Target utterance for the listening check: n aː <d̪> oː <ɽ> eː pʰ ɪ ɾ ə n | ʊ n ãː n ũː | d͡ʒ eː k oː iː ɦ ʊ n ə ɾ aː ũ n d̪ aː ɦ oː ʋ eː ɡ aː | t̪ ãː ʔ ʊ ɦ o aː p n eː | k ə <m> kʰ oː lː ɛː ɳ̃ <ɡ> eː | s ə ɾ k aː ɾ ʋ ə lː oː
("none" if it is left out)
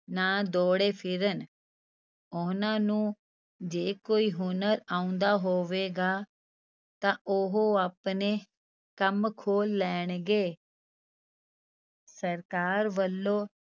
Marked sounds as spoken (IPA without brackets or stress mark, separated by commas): d̪, ɽ, m, ɡ